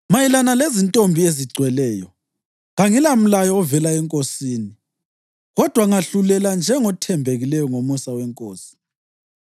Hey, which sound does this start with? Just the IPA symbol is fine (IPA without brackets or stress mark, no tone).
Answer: m